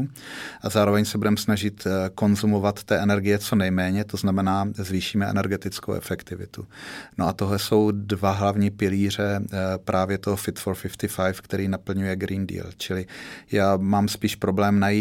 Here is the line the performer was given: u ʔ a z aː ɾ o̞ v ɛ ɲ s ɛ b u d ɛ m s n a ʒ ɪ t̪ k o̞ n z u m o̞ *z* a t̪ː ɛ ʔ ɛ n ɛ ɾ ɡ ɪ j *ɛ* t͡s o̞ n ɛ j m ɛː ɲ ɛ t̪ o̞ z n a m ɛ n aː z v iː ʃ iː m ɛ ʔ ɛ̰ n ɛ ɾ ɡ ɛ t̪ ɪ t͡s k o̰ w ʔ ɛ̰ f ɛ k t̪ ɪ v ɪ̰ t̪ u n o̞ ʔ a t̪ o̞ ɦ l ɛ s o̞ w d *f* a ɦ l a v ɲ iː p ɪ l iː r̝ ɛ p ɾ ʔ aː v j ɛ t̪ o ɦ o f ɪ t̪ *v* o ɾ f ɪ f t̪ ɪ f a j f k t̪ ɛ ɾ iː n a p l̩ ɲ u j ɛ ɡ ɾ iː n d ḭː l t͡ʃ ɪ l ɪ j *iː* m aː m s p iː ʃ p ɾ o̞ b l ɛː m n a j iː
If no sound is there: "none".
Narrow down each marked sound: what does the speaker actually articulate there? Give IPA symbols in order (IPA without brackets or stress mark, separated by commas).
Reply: v, ɛ, v, f, aː